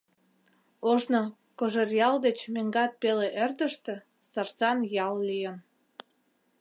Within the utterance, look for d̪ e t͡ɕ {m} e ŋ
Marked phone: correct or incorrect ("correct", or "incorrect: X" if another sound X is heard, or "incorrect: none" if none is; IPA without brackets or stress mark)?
correct